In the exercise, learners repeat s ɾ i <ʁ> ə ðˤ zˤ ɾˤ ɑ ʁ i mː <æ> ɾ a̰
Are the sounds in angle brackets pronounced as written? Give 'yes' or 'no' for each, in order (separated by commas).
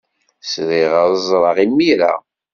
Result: yes, no